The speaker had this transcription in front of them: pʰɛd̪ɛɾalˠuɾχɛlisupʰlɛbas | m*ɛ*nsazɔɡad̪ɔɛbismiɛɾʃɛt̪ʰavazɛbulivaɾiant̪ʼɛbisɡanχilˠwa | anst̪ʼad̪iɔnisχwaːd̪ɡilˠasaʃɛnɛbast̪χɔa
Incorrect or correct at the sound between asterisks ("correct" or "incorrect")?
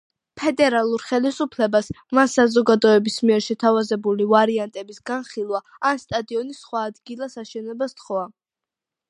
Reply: incorrect